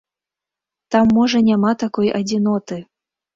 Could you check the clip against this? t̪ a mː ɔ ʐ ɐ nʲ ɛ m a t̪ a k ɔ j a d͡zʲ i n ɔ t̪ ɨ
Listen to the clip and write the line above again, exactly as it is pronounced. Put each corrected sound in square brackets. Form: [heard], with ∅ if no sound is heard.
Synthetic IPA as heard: t̪ a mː ɔ ʐ ɐ nʲ [a] m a t̪ a k ɔ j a d͡zʲ i n ɔ t̪ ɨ

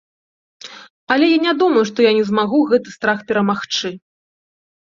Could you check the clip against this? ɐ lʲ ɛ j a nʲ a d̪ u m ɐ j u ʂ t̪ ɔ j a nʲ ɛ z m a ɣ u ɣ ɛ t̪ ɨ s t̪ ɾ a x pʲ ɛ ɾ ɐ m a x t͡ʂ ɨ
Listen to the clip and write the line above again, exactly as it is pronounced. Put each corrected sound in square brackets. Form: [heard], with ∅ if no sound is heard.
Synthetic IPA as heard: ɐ lʲ ɛ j a nʲ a d̪ u m ɐ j u ʂ t̪ ɔ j a nʲ ɛ z m a ɣ u ɣ ɛ t̪ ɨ s t̪ ɾ a x pʲ ɛ ɾ ɐ m a x t͡ʂ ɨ

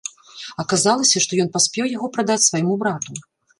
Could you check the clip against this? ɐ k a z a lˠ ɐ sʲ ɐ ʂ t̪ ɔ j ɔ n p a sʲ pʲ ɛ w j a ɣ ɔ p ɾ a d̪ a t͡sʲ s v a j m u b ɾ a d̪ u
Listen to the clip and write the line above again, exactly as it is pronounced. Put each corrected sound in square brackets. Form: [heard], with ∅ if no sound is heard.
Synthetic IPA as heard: ɐ k a z a lˠ ɐ sʲ ɐ ʂ t̪ ɔ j ɔ n p a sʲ pʲ ɛ w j a ɣ ɔ p ɾ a d̪ a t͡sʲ s v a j m u b ɾ a [t̪] u

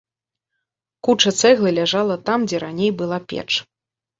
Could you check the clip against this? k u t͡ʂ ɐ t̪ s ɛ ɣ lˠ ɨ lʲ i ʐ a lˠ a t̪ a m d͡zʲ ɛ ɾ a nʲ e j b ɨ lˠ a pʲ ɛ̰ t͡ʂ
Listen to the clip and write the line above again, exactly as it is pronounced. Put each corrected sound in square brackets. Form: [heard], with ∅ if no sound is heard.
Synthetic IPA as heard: k u t͡ʂ ɐ t̪ s ɛ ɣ lˠ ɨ lʲ [a] ʐ a lˠ [ɐ] t̪ a m d͡zʲ ɛ ɾ a nʲ e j b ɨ lˠ a pʲ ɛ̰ t͡ʂ

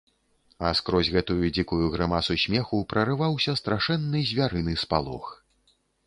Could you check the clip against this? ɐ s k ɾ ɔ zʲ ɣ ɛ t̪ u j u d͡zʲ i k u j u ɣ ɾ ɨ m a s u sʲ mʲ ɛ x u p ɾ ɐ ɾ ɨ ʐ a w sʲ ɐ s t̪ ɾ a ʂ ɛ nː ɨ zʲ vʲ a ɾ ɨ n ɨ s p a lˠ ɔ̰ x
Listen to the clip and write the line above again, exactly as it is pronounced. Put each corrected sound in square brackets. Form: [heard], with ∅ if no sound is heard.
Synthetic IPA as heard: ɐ s k ɾ ɔ zʲ ɣ ɛ t̪ u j u d͡zʲ i k u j u ɣ ɾ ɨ m a s u sʲ mʲ ɛ x u p ɾ ɐ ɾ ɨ [v] a w sʲ ɐ s t̪ ɾ a ʂ ɛ nː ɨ zʲ vʲ a ɾ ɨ n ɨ s p a lˠ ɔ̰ x

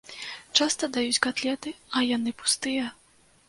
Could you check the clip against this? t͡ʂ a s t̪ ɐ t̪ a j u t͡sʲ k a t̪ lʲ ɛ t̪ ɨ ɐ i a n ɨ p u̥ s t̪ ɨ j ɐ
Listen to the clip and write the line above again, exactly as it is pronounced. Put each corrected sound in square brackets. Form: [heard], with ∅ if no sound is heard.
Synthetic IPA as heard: t͡ʂ a s t̪ ɐ [d̪] a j u t͡sʲ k a t̪ lʲ ɛ t̪ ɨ ɐ [j] a n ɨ p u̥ s t̪ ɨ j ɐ

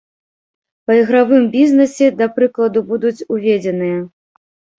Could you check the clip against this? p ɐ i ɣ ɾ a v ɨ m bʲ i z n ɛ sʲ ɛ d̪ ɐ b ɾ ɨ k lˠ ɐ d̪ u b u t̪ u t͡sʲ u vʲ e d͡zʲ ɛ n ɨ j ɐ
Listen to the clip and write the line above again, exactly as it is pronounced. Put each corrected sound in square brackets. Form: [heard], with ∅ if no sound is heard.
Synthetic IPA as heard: p ɐ i ɣ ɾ a v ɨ m bʲ i z n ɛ sʲ ɛ d̪ ɐ [p] ɾ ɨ k lˠ ɐ d̪ u b u [d̪] u t͡sʲ u vʲ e d͡zʲ ɛ n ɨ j ɐ

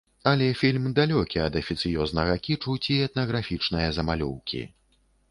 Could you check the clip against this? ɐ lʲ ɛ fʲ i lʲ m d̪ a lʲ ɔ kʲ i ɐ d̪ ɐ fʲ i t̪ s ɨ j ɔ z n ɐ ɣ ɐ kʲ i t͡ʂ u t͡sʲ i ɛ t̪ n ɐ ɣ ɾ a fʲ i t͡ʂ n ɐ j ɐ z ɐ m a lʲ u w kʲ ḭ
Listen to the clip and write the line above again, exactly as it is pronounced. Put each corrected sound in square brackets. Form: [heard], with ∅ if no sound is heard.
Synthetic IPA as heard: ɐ lʲ ɛ fʲ i lʲ m d̪ a lʲ ɔ kʲ i ɐ d̪ ɐ fʲ i t̪ s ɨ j ɔ z n ɐ ɣ ɐ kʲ i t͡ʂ u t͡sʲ i ɛ t̪ n ɐ ɣ ɾ a fʲ i t͡ʂ n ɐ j ɐ z ɐ m a lʲ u w kʲ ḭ

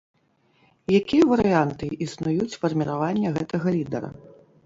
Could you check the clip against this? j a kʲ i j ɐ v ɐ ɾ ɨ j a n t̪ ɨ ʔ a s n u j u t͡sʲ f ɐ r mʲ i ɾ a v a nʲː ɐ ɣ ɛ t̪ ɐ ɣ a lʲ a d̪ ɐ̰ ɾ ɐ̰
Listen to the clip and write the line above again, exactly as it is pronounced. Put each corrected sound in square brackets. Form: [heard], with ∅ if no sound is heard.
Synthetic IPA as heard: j a kʲ i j ɐ v ɐ ɾ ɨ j a n t̪ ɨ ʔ [i] s n u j u t͡sʲ f ɐ r mʲ i ɾ a v a nʲː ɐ ɣ ɛ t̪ ɐ ɣ [ɐ] lʲ [i] d̪ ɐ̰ ɾ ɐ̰

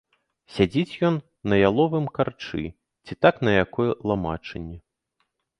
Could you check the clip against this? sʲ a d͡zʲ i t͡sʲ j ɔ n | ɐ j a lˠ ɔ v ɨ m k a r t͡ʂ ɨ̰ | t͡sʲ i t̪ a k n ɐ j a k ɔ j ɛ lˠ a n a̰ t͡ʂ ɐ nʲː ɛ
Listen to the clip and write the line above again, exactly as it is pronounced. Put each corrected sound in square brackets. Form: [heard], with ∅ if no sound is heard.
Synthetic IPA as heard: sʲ a d͡zʲ i t͡sʲ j ɔ [nː] | ɐ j a lˠ ɔ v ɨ m k a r t͡ʂ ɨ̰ | t͡sʲ i t̪ a k n ɐ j a k ɔ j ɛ lˠ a [m] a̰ t͡ʂ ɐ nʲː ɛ

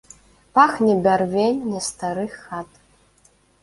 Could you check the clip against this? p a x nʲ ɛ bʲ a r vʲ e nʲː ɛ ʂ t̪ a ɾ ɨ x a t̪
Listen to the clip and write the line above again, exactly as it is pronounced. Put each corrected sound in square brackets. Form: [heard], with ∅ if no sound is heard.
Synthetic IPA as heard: p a x nʲ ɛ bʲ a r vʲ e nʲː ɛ [s] t̪ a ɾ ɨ x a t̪

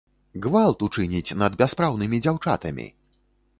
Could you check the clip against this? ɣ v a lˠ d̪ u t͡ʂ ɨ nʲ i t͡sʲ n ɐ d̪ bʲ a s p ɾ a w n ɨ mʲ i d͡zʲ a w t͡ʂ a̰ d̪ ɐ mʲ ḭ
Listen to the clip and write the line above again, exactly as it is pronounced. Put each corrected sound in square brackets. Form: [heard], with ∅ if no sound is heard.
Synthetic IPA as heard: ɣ v a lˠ [t̪] u t͡ʂ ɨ nʲ i t͡sʲ n ɐ d̪ bʲ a s p ɾ a w n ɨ mʲ i d͡zʲ a w t͡ʂ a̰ [t̪] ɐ mʲ ḭ

